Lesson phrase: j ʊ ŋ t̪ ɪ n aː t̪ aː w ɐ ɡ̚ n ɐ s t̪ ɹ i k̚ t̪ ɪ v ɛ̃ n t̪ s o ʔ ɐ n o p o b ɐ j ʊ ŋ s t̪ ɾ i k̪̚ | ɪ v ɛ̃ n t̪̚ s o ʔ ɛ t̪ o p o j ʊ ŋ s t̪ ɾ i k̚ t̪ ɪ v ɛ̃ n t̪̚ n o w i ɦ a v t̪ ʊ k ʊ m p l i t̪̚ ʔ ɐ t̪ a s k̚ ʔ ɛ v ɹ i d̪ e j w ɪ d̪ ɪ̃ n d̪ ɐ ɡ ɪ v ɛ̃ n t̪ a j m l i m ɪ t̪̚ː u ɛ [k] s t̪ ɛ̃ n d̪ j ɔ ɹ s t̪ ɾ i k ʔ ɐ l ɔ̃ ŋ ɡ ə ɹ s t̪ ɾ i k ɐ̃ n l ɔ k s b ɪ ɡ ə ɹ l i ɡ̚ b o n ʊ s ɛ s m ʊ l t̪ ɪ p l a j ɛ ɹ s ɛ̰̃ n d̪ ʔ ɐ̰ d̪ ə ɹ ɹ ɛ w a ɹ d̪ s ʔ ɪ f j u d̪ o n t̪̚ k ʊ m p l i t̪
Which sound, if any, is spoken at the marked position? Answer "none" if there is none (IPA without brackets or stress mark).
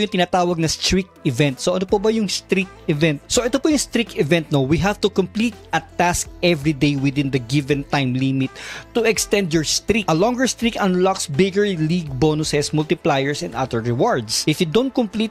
k